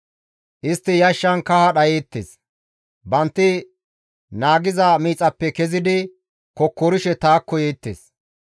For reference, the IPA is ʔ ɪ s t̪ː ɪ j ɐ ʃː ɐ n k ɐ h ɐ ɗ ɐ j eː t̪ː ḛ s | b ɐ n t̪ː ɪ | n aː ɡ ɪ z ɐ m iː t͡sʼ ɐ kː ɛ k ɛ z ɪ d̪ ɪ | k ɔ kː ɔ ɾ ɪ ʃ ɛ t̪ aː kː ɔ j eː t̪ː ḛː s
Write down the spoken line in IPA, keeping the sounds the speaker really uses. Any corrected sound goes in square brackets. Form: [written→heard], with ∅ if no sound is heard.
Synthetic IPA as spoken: ʔ ɪ s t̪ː ɪ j ɐ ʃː ɐ n k ɐ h ɐ ɗ ɐ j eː t̪ː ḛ s | b ɐ n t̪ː ɪ | n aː ɡ ɪ z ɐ m iː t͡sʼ ɐ [kː→pː] ɛ k ɛ z ɪ d̪ ɪ | k ɔ kː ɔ ɾ ɪ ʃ ɛ t̪ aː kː ɔ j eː t̪ː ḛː s